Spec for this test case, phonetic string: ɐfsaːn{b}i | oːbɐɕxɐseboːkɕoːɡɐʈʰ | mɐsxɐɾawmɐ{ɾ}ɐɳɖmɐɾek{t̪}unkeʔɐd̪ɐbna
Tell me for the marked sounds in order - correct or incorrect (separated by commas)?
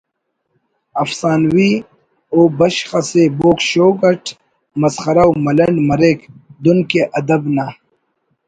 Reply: incorrect, incorrect, incorrect